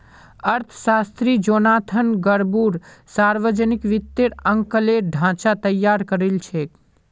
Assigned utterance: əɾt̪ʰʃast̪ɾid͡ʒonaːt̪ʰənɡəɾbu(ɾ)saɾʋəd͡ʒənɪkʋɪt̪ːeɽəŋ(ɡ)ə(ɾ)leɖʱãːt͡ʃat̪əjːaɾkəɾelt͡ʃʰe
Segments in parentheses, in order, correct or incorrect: correct, incorrect, incorrect

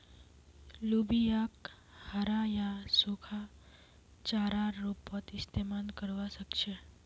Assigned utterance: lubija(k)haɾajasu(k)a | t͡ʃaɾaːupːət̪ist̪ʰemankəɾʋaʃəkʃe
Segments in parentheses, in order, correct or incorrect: correct, incorrect

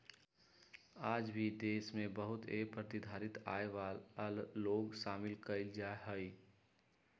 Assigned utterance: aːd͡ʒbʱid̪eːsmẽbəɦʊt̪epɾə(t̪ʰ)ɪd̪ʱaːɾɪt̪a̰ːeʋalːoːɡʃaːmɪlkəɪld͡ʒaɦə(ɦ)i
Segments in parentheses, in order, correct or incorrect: incorrect, incorrect

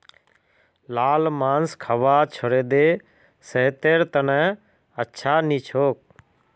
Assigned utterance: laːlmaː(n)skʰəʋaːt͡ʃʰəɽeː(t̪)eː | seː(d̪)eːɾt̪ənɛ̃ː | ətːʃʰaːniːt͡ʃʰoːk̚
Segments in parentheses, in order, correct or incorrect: correct, incorrect, incorrect

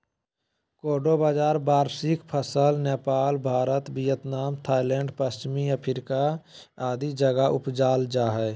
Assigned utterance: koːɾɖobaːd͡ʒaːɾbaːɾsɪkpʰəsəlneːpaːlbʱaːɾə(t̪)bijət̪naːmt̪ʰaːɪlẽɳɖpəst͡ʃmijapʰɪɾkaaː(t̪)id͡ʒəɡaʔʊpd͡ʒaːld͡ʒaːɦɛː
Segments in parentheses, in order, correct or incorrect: correct, incorrect

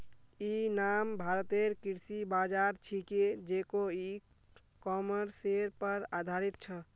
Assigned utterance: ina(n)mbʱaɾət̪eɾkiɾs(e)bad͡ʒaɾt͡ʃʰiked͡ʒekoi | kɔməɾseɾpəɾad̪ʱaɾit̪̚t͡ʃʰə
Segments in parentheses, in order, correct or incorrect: incorrect, incorrect

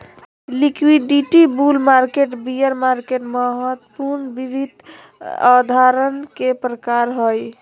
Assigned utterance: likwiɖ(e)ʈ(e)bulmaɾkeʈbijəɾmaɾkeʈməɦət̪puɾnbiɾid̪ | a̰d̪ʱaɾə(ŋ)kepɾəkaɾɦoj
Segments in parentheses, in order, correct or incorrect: incorrect, incorrect, incorrect

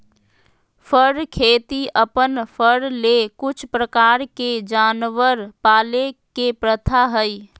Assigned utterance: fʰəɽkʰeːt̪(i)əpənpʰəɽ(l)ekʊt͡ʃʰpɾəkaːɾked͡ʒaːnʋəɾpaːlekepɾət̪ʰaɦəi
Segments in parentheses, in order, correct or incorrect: correct, correct

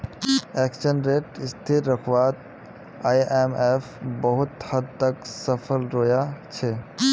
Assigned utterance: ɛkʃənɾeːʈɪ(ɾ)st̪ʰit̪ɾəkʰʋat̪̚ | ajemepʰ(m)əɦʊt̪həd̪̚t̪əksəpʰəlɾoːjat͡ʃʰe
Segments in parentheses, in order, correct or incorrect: incorrect, incorrect

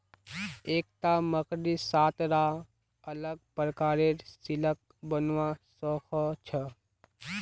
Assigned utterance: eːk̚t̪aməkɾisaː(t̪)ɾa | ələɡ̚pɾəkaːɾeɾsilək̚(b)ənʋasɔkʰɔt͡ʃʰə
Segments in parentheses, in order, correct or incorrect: correct, correct

